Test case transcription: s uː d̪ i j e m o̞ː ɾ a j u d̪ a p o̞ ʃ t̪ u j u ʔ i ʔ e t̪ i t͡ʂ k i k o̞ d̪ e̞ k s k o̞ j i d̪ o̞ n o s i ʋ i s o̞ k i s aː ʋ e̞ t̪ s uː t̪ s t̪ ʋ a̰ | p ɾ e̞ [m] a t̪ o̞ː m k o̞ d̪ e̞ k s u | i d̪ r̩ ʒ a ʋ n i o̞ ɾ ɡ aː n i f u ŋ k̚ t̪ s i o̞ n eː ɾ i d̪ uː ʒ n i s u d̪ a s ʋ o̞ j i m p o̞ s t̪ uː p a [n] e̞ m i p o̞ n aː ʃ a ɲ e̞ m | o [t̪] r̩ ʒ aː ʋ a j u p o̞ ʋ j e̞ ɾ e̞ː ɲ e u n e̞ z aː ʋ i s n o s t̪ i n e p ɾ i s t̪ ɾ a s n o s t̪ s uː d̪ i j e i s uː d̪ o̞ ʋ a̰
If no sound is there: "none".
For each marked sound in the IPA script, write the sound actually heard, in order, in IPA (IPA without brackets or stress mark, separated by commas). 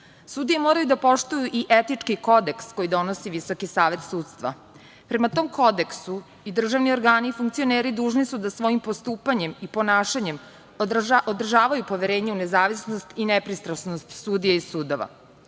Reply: m, ɲ, d̪